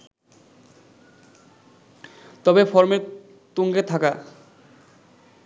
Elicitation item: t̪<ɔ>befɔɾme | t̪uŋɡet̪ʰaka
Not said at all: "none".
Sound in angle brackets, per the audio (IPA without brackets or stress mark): ɔ